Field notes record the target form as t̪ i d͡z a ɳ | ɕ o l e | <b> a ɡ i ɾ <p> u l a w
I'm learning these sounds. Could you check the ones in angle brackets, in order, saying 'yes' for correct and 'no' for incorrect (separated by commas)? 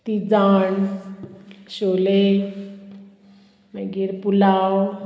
no, yes